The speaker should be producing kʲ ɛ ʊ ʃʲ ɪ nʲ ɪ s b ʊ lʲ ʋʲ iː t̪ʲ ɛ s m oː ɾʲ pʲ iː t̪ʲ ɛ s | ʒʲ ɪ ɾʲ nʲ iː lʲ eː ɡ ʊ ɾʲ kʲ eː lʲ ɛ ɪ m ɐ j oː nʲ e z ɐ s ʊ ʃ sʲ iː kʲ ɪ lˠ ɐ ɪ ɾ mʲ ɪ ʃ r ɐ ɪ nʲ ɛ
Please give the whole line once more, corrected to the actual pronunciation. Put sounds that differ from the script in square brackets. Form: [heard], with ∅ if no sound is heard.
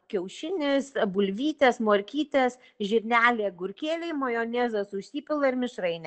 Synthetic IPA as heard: kʲ ɛ ʊ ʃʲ ɪ nʲ ɪ s b ʊ lʲ ʋʲ iː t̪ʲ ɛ s m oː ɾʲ [kʲ] iː t̪ʲ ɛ s | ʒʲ ɪ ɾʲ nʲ [æː] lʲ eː ɡ ʊ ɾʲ kʲ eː lʲ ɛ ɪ m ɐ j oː nʲ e z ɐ s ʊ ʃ sʲ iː [pʲ] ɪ lˠ ɐ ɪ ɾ mʲ ɪ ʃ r ɐ ɪ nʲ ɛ